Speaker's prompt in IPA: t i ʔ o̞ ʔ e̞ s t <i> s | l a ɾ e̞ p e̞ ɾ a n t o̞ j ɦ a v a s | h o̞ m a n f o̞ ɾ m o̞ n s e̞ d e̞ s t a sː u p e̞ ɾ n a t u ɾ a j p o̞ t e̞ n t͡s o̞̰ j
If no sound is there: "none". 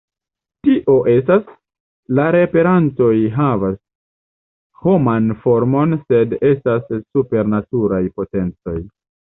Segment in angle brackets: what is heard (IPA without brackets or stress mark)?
a